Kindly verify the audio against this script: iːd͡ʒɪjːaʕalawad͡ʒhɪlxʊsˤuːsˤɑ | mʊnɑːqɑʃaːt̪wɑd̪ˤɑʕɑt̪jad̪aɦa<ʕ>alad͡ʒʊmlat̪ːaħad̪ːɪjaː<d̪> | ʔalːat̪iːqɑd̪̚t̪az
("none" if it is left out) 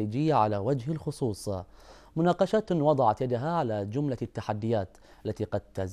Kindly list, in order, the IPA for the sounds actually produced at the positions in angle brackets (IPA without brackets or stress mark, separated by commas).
ʕ, t̪